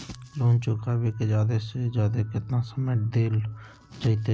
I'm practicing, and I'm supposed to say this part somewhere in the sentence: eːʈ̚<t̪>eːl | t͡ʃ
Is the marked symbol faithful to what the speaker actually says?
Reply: no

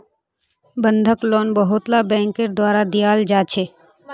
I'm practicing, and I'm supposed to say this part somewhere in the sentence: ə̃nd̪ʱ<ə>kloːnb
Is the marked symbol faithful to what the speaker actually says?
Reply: yes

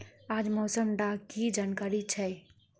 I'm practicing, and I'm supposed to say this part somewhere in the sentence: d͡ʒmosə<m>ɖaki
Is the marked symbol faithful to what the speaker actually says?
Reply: yes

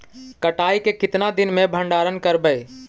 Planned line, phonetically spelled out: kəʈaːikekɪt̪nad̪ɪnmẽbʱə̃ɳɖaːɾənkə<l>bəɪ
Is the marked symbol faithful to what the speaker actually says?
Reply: no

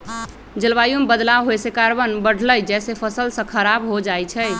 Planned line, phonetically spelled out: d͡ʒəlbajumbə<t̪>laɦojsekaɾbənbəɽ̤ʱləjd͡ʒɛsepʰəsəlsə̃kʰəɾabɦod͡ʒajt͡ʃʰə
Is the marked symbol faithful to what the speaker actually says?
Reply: no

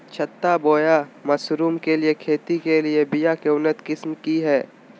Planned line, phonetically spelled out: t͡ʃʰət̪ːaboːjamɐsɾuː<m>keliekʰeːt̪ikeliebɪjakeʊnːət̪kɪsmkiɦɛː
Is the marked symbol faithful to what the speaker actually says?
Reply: yes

